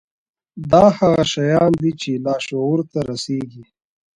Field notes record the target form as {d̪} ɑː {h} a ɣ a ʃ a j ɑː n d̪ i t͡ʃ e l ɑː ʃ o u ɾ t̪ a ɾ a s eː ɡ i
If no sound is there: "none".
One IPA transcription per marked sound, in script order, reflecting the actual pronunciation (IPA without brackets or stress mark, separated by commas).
d̪, h